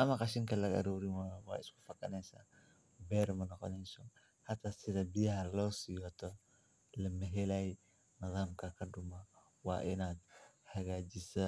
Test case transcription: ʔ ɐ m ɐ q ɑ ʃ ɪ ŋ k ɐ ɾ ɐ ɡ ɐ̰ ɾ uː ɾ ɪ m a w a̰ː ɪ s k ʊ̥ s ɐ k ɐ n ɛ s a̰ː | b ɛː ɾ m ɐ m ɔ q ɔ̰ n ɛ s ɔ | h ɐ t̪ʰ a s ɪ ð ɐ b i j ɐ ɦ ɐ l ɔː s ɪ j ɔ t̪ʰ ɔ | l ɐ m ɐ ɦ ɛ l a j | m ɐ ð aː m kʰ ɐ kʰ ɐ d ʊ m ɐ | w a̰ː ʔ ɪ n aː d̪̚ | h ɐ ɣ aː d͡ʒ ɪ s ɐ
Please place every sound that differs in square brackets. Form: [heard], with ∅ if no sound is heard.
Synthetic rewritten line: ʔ ɐ m ɐ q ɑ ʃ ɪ ŋ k ɐ [l] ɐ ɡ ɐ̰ ɾ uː ɾ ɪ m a w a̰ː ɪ s k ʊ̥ [f] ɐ k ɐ n ɛ s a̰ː | b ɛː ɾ m ɐ [n] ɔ q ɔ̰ n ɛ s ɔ | h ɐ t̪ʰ a s ɪ ð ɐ b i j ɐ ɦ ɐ l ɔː s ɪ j ɔ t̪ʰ ɔ | l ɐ m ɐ ɦ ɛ l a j | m ɐ ð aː m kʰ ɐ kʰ ɐ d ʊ m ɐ | w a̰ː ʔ ɪ n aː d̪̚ | h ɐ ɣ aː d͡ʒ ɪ s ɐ